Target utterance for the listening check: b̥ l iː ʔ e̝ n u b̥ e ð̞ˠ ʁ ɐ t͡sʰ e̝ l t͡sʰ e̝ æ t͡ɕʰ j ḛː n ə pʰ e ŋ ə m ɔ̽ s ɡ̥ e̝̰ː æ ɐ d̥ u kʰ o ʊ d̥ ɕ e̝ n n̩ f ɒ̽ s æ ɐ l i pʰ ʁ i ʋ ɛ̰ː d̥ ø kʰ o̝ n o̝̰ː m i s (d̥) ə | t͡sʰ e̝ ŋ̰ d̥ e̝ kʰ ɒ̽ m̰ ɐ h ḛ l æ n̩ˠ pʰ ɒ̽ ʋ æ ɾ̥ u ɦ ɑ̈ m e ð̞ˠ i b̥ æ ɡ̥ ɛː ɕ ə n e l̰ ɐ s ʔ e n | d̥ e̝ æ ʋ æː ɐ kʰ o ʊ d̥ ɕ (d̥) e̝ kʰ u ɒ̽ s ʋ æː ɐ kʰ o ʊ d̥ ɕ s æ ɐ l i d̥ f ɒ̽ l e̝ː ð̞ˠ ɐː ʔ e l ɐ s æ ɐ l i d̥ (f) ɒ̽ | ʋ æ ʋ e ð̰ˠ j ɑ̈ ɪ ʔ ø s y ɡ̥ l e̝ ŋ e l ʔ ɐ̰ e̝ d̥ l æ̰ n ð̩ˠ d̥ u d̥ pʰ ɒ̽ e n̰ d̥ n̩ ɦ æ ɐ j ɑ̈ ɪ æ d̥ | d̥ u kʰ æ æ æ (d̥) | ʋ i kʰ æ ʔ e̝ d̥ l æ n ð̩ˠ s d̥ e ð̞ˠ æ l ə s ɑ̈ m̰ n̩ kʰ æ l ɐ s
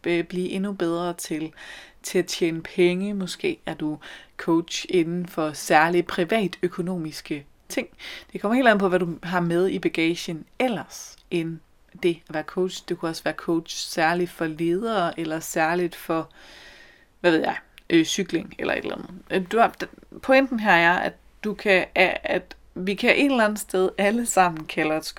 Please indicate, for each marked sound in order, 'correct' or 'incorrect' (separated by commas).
incorrect, correct, correct, correct